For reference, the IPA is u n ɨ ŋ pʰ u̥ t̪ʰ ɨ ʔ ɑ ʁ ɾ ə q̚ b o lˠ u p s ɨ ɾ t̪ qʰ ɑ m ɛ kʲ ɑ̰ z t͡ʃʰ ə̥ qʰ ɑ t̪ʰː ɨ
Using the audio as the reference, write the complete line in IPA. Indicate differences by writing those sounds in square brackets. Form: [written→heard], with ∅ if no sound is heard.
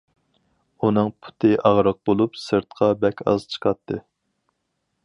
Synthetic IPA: u n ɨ ŋ pʰ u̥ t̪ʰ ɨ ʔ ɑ ʁ ɾ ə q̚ b o lˠ u p s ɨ ɾ t̪ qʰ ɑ [m→b] ɛ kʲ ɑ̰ z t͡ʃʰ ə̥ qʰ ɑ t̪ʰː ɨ